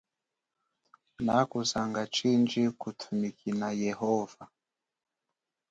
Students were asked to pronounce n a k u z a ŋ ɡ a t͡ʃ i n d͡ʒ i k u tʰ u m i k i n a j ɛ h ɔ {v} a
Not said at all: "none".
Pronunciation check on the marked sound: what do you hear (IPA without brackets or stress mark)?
v